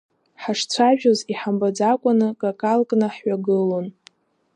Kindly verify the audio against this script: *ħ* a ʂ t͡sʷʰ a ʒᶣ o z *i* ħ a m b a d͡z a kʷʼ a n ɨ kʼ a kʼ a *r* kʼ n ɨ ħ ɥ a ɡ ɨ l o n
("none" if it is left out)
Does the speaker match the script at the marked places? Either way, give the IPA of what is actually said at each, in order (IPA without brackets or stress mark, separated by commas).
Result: ħ, i, l